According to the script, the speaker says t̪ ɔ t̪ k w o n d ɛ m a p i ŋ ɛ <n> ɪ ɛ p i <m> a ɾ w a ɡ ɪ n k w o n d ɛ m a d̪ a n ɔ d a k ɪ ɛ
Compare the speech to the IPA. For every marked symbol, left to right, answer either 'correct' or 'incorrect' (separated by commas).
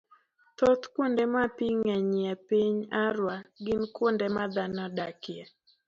incorrect, incorrect